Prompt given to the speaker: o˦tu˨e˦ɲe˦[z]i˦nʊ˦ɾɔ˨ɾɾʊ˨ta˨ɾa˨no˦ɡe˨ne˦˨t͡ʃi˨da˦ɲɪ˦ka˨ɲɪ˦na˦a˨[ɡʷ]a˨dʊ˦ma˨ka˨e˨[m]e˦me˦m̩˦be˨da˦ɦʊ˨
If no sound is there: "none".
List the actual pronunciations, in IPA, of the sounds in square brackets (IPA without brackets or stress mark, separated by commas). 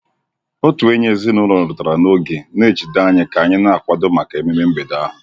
z, kʷ, m